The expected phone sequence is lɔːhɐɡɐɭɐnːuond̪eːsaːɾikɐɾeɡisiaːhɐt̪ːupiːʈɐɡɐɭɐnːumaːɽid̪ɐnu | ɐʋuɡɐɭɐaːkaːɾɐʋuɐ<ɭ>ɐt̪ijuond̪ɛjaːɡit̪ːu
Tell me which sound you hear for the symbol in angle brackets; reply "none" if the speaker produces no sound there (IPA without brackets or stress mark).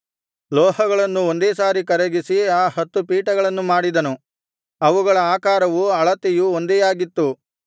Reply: ɭ